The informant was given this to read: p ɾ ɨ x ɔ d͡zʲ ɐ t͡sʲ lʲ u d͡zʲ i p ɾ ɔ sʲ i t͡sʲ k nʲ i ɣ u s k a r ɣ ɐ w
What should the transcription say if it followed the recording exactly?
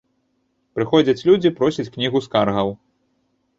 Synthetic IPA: p ɾ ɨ x ɔ d͡zʲ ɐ t͡sʲ lʲ u d͡zʲ i p ɾ ɔ sʲ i t͡sʲ k nʲ i ɣ u s k a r ɣ ɐ w